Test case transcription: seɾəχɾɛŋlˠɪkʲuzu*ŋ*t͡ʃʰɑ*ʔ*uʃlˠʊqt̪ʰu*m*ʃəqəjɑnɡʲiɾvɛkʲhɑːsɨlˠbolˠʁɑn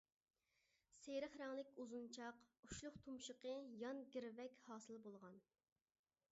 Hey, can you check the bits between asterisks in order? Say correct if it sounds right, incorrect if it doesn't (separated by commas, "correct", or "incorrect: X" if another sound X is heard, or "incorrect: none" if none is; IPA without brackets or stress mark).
incorrect: n, incorrect: q, correct